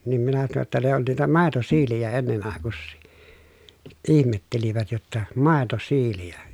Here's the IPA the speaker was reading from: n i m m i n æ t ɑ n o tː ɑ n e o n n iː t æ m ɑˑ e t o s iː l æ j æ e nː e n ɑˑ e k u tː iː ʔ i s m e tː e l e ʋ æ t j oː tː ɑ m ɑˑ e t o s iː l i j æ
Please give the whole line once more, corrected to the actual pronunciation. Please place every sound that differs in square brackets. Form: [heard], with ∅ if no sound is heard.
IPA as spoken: n i m m i n æ t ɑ n o tː ɑ n e o n n iː t æ m ɑˑ e t o s iː l [i] j æ e nː e n ɑˑ e k u [sː] iː ʔ i [h] m e tː e l [i] ʋ æ t j [o] tː ɑ m ɑˑ e t o s iː l i j æ